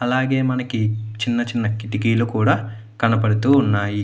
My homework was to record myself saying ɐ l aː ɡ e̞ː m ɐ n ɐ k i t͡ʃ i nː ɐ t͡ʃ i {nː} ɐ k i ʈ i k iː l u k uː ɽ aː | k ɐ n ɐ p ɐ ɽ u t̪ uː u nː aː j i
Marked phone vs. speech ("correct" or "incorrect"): correct